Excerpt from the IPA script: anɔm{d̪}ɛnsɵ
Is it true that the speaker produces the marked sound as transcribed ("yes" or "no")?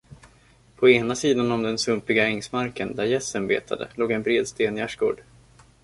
yes